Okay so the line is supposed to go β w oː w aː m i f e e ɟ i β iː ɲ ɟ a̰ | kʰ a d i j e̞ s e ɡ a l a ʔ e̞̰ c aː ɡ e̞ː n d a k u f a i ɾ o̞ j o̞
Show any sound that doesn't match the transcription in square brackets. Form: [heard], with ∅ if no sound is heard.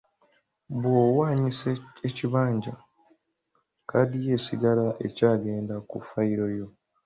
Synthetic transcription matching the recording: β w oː w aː [ɲ] i [s] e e [c] i β [aː] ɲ ɟ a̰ | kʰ a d i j e̞ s [i] ɡ a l a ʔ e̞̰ c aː ɡ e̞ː n d a k u f a i ɾ o̞ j o̞